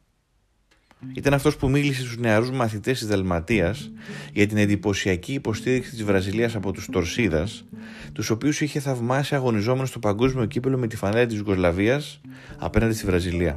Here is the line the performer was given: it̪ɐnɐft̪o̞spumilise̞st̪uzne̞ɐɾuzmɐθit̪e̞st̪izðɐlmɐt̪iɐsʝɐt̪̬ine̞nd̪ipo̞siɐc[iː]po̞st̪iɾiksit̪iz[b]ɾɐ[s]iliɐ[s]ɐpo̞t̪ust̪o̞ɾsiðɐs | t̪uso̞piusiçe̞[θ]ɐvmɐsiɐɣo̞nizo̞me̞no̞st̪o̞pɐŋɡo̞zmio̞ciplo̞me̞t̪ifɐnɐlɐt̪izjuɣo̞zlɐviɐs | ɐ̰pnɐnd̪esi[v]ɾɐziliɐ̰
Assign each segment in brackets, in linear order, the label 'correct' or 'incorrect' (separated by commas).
correct, incorrect, incorrect, correct, correct, correct